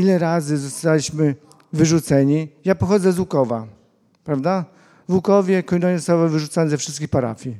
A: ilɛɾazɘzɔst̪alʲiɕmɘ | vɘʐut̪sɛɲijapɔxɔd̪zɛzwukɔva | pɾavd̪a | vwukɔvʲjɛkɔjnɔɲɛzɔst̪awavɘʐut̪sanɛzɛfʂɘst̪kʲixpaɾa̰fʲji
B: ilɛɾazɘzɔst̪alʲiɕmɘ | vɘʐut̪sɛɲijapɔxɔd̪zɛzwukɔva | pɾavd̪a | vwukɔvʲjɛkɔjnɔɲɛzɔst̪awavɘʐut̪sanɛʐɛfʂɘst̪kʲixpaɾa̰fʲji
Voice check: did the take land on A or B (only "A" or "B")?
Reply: A